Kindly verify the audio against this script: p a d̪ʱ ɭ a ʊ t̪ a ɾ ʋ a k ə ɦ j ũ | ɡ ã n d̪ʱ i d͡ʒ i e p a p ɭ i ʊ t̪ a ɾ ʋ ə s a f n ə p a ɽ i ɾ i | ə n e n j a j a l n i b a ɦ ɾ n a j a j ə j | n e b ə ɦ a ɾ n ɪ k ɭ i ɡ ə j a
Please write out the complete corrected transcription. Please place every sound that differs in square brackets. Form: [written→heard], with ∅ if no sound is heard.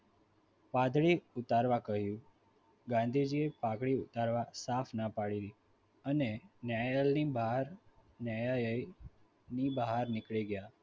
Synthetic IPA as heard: p a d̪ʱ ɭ [a→i] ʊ t̪ a ɾ ʋ a k ə ɦ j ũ | ɡ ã n d̪ʱ i d͡ʒ i e p a [p→k] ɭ i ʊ t̪ a ɾ ʋ [ə→a] s a f n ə p a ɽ i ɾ i | ə n e n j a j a l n i b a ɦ ɾ n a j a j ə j | n [e→i] b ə ɦ a ɾ n ɪ k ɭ i ɡ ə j a